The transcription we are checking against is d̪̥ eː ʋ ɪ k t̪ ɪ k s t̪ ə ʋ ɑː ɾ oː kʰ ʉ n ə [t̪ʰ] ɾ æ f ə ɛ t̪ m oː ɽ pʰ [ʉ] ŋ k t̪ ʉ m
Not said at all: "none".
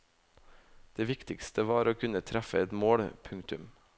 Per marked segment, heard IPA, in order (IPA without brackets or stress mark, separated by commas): t̪ʰ, ʉ